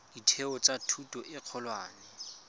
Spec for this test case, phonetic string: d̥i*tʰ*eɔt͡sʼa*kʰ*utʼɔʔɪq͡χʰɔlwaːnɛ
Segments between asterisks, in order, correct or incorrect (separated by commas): correct, incorrect